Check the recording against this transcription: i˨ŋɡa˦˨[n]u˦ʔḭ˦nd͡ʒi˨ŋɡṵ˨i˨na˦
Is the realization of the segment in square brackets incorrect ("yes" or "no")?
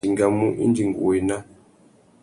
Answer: yes